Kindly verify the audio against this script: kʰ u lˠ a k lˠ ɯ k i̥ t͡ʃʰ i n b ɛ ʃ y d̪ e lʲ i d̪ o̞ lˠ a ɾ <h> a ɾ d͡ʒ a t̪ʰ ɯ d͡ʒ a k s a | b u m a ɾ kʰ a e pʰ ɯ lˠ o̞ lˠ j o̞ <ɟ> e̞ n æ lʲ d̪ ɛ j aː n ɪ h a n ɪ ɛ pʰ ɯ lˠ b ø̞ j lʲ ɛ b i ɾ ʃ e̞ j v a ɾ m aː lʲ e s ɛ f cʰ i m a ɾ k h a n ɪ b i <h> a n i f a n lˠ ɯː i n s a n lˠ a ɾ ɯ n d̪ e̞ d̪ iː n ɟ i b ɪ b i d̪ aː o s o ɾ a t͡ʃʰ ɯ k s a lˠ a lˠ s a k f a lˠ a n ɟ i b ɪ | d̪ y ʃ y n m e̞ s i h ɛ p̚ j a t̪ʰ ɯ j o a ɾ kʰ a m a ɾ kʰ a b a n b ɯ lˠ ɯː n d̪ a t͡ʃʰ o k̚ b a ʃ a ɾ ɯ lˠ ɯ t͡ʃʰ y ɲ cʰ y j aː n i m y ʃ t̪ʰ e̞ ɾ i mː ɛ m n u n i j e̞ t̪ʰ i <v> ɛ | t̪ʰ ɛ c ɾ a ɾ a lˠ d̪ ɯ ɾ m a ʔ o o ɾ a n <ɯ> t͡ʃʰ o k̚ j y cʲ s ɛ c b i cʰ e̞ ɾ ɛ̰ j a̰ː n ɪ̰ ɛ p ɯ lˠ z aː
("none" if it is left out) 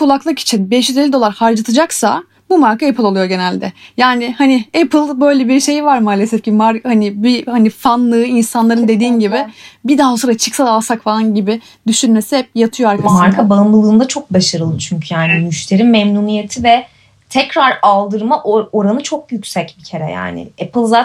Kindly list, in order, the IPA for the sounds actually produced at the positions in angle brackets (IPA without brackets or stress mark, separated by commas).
h, ɟ, h, v, ɯ